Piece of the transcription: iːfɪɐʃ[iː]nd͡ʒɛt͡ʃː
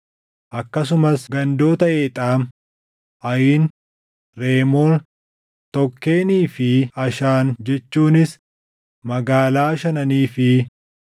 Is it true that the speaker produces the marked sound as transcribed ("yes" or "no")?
no